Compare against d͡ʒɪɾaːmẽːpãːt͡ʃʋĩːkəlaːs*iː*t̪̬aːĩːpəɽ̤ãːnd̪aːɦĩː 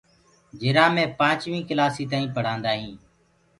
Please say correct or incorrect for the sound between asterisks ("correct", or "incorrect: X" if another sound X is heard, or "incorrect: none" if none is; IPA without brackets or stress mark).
correct